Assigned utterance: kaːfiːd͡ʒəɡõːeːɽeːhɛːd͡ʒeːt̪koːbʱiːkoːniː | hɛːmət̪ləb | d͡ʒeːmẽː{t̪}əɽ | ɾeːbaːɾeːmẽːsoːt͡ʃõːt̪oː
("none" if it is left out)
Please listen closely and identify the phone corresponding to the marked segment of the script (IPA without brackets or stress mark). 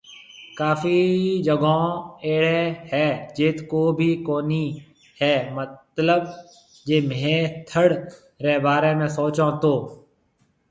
t̪ʰ